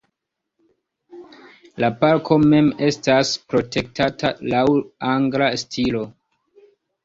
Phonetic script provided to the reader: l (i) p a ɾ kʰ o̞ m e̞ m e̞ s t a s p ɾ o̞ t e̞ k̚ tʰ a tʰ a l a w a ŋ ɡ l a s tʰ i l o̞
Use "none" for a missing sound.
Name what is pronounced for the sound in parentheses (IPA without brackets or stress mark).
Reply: a